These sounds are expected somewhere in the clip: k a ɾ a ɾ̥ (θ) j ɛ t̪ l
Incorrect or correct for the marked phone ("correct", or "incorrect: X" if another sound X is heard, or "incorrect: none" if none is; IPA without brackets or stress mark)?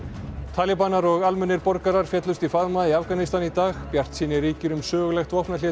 incorrect: f